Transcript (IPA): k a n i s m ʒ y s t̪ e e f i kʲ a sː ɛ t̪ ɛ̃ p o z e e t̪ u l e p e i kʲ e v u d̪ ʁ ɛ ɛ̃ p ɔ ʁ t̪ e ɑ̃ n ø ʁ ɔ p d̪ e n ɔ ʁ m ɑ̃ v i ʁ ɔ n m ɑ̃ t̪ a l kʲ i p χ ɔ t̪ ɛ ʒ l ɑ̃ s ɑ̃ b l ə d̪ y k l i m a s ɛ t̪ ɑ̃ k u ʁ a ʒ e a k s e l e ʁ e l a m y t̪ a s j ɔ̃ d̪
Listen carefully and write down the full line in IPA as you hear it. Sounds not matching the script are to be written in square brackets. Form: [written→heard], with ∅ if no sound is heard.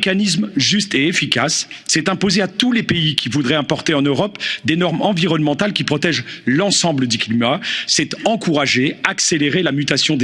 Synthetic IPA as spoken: k a n i s m ʒ y s t̪ e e f i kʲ a sː ɛ t̪ ɛ̃ p o z e [e→a] t̪ u l e p e i kʲ [e→i] v u d̪ ʁ ɛ ɛ̃ p ɔ ʁ t̪ e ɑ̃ n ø ʁ ɔ p d̪ e n ɔ ʁ m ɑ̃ v i ʁ ɔ n m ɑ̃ t̪ a l kʲ i p χ ɔ t̪ ɛ ʒ l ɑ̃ s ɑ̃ b l ə d̪ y k l i m a s ɛ t̪ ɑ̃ k u ʁ a ʒ e a k s e l e ʁ e l a m y t̪ a s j ɔ̃ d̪